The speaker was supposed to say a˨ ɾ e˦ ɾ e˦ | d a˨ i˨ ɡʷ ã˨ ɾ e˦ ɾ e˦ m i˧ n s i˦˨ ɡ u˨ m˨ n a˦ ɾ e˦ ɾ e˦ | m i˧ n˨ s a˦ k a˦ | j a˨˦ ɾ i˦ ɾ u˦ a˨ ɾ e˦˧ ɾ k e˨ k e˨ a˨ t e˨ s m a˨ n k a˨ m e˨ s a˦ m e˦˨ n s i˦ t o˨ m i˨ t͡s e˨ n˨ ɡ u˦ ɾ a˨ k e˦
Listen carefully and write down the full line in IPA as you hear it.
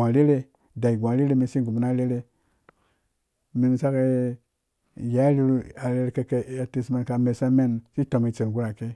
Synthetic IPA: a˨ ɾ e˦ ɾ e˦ | d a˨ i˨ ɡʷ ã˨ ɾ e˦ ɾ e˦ m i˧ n s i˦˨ ɡ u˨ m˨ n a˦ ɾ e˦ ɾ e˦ | m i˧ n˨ s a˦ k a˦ | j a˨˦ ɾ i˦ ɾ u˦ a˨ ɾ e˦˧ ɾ k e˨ k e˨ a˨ t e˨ s m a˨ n k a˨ m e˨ s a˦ m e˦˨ n s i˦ t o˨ m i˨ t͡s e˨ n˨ ɡ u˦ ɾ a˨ k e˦